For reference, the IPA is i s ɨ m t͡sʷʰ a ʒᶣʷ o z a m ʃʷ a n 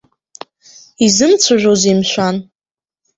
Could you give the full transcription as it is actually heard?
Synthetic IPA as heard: i z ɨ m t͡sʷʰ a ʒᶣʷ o z i m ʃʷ a n